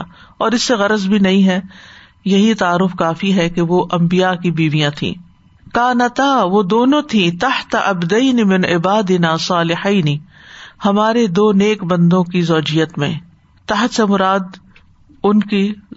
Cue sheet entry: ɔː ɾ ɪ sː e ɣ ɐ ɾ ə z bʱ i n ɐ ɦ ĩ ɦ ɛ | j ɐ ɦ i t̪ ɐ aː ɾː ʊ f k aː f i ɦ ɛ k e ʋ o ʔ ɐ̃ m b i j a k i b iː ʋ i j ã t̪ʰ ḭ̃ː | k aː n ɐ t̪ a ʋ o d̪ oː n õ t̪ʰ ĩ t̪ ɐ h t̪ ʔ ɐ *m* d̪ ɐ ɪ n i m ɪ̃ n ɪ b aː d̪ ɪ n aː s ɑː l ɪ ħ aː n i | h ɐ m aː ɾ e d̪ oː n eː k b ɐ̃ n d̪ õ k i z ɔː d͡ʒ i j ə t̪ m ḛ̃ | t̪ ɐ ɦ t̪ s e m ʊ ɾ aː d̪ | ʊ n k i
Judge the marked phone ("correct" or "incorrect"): incorrect